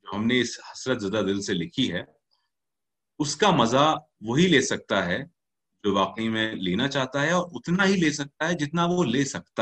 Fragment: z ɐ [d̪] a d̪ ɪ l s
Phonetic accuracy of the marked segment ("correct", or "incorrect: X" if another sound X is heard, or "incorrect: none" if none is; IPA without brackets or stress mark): correct